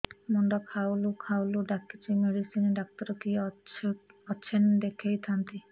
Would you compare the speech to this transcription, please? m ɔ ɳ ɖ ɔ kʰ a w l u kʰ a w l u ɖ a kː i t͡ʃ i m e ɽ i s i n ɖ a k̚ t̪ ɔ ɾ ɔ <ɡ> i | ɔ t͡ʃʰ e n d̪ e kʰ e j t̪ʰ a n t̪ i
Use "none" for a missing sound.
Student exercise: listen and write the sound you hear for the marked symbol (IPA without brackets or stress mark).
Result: k